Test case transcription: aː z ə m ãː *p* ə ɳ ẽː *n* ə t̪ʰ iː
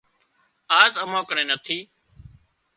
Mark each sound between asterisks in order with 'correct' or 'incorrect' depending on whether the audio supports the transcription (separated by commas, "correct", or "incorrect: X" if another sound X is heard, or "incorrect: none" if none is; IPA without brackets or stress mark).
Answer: incorrect: k, correct